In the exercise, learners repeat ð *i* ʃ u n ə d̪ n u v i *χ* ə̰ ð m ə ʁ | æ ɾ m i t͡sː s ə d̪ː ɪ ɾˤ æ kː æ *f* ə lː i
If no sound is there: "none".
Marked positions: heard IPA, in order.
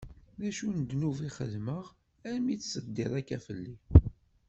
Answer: æ, χ, f

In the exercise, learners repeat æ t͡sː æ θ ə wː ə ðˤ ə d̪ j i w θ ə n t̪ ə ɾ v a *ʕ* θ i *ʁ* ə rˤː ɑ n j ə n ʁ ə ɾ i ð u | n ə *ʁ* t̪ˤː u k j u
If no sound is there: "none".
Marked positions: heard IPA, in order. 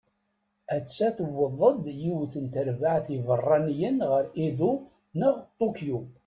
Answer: ʕ, v, ʁ

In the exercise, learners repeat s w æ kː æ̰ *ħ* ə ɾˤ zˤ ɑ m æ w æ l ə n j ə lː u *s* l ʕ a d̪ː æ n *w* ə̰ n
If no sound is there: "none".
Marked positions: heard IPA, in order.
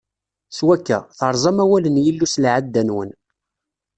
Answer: θ, s, w

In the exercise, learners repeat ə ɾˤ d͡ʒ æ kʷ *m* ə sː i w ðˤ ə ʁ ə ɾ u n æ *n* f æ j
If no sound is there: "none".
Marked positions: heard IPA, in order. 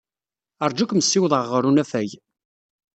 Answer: m, none

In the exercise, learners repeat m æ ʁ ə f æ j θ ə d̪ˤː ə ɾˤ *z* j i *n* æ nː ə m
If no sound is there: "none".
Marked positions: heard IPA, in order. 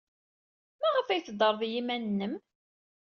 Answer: ð, m

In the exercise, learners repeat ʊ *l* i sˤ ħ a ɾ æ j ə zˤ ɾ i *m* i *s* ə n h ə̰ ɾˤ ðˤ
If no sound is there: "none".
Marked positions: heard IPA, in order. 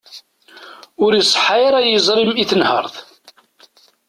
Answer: ɾ, m, θ

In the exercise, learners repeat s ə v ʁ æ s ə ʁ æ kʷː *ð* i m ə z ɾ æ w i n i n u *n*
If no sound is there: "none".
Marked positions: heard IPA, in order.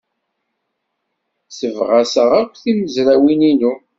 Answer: θ, none

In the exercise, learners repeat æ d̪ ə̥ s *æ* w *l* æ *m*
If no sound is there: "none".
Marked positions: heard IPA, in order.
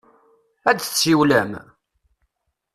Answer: i, l, m

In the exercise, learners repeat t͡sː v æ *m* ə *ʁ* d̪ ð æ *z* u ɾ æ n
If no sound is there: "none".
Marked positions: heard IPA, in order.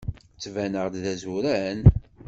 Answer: n, ʁ, z

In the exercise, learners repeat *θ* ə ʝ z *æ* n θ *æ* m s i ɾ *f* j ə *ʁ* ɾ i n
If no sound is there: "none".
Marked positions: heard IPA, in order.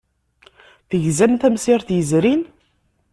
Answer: θ, æ, æ, θ, z

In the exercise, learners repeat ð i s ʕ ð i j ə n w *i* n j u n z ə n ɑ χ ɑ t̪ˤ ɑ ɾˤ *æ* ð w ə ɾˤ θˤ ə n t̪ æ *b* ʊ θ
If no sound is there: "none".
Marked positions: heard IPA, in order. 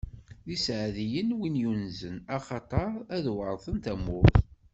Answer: i, æ, m

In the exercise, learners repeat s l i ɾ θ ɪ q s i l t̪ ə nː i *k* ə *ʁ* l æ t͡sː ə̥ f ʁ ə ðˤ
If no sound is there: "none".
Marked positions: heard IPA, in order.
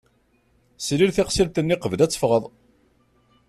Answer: q, v

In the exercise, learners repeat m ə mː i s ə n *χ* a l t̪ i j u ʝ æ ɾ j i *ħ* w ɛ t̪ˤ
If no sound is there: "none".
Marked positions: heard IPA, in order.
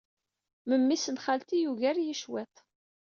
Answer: χ, ʃ

